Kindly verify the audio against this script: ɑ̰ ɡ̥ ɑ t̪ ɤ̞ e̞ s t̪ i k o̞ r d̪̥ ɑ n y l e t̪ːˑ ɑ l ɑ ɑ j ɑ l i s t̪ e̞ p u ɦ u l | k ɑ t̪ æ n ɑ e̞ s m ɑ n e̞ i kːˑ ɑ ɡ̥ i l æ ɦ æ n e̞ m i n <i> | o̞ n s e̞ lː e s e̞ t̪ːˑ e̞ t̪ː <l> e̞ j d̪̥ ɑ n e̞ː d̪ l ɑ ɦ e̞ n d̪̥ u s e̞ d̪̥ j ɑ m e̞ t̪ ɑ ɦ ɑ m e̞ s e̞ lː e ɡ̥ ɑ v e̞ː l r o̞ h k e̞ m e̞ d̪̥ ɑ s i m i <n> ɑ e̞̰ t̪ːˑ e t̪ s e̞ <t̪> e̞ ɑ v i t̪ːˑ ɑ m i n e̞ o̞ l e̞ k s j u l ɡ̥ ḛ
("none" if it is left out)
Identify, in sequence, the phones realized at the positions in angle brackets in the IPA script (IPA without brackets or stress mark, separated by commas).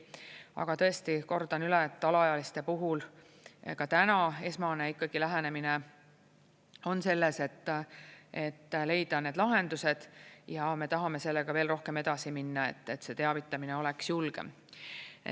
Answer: e, l, nː, t̪